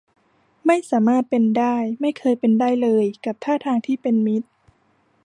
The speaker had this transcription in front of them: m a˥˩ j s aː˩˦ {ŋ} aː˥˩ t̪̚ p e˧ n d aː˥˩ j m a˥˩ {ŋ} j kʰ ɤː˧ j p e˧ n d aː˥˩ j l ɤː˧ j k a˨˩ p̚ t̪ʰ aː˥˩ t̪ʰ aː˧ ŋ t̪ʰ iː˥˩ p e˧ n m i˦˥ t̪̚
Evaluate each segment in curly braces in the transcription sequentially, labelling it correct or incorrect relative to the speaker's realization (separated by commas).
incorrect, incorrect